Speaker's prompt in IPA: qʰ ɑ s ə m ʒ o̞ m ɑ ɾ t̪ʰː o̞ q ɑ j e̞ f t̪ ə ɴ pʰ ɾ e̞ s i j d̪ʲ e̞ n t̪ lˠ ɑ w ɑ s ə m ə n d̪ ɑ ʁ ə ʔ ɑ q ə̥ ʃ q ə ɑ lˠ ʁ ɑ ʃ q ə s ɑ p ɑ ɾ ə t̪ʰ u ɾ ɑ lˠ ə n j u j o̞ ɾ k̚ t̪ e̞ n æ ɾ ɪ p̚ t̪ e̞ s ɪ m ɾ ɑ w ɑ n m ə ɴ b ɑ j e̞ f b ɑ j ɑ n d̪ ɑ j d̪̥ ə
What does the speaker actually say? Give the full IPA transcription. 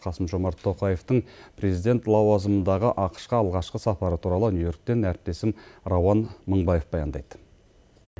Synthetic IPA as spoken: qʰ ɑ s ə m ʒ o̞ m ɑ ɾ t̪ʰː o̞ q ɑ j e̞ f t̪ ə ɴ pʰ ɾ e̞ z i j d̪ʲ e̞ n t̪ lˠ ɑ w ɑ z ə m ə n d̪ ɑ ʁ ə ʔ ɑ q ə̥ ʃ q ə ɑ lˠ ʁ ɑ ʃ q ə s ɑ p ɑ ɾ ə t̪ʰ u ɾ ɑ lˠ ə n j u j o̞ ɾ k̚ t̪ e̞ n æ ɾ ɪ p̚ t̪ e̞ s ɪ m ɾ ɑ w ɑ n m ə ɴ b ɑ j e̞ f b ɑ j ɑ n d̪ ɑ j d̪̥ ə